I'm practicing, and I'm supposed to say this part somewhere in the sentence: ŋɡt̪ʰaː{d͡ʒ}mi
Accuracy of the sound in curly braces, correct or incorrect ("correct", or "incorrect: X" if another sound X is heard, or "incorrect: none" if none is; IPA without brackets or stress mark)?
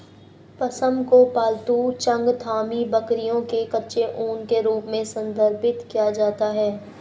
incorrect: none